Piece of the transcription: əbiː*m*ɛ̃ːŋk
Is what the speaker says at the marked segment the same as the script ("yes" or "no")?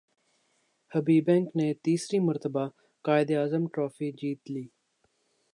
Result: no